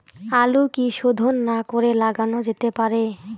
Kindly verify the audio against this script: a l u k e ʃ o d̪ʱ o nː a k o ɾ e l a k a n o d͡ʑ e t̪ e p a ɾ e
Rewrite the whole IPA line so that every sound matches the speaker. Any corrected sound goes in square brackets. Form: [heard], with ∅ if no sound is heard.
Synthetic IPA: a l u k [i] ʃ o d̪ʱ o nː a k o ɾ e l a [ɡ] a n o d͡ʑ e t̪ e p a ɾ e

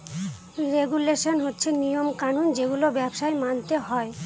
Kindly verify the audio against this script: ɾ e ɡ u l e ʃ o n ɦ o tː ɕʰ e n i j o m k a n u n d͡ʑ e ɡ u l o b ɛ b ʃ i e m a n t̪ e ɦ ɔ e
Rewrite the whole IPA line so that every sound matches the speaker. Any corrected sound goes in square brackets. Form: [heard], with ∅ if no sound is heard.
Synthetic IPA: ɾ e ɡ u l e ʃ o n ɦ o tː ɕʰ e n i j o m k a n u n d͡ʑ e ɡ u l o b ɛ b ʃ [a] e m a n t̪ e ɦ ɔ e

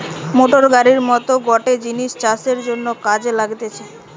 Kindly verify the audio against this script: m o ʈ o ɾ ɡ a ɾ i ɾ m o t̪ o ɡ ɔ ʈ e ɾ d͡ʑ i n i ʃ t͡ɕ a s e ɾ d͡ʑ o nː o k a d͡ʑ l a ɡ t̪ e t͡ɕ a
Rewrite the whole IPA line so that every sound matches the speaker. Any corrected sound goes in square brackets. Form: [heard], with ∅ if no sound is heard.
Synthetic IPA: m o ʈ o ɾ ɡ a ɾ i ɾ m [ɔ] t̪ o ɡ ɔ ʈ e [∅] d͡ʑ i n i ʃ t͡ɕ a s e ɾ d͡ʑ o nː o k a d͡ʑ l a ɡ t̪ e [t͡ɕʰ] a

